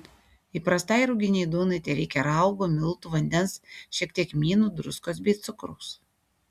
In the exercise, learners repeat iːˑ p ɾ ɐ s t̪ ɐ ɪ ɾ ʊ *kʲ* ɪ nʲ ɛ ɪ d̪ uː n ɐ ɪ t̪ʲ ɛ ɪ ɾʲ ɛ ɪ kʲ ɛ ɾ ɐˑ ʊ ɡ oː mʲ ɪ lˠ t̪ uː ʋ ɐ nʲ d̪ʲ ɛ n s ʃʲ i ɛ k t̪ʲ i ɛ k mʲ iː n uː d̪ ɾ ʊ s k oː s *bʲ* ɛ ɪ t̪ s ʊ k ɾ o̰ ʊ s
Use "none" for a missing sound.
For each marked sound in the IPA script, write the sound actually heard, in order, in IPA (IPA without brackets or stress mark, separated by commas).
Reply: ɡʲ, bʲ